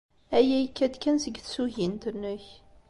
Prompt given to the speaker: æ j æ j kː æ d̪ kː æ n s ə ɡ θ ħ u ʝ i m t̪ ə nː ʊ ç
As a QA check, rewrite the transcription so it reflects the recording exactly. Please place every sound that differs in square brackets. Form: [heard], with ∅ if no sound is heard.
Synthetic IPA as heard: æ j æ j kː æ d̪ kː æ n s ə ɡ θ [s] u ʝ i [n] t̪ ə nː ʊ ç